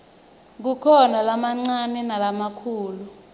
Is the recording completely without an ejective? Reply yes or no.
yes